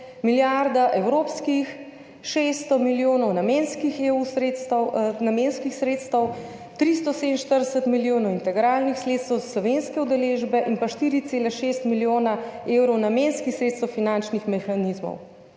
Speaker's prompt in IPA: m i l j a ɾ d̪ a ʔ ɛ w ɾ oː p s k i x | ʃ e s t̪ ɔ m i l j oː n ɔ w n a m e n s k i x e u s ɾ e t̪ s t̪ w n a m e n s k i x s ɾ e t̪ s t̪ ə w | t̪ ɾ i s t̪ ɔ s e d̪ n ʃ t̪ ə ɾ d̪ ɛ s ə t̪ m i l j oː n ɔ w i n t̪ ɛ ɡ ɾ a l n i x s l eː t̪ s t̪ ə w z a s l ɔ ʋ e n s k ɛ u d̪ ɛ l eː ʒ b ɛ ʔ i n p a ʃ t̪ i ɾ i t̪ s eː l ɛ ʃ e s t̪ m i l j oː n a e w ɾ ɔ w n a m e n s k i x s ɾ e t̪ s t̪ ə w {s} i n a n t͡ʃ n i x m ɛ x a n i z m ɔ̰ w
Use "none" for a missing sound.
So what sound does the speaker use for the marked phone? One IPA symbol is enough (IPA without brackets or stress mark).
f